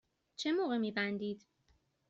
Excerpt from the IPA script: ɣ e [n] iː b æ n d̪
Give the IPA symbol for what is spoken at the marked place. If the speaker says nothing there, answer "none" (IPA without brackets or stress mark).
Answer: m